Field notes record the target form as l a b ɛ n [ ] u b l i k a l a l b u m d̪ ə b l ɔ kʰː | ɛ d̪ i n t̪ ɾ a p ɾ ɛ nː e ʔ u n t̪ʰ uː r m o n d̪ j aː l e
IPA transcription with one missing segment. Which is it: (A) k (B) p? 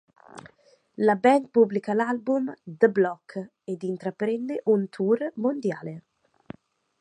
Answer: B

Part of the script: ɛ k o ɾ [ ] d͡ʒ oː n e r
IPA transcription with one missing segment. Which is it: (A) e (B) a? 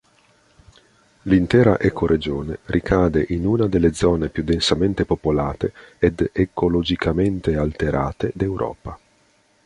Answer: A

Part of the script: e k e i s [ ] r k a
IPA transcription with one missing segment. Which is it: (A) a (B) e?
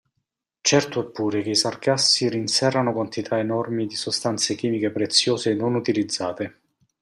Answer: A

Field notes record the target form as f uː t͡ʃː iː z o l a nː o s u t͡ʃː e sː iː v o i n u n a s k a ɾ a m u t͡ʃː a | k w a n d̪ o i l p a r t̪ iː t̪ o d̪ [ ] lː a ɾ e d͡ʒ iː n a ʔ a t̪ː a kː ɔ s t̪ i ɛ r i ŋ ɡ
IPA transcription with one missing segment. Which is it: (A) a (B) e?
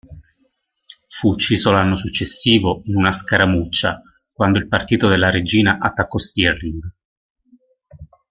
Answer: B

